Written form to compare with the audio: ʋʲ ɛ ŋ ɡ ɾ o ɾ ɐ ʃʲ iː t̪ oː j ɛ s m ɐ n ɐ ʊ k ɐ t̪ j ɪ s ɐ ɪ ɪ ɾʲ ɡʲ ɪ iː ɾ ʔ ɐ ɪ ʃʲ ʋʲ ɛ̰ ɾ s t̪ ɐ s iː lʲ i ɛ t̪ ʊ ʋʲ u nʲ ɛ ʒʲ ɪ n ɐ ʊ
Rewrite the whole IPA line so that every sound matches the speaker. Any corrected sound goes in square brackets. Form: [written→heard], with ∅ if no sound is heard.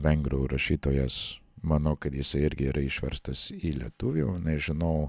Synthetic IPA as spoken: ʋʲ ɛ ŋ ɡ ɾ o ɾ ɐ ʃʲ iː t̪ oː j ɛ s m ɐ n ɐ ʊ k ɐ t̪ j ɪ s ɐ ɪ ɪ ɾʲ ɡʲ ɪ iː ɾ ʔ ɐ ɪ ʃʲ ʋʲ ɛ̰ ɾ s t̪ ɐ s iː lʲ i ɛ t̪ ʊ ʋʲ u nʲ ɛ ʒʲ ɪ n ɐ ʊ